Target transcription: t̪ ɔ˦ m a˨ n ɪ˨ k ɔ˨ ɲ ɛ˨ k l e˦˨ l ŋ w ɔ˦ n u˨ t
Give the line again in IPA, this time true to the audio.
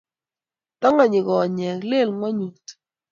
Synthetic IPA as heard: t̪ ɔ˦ ŋ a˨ ɲ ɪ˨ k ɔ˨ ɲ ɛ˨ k l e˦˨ l ŋ w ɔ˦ ɲ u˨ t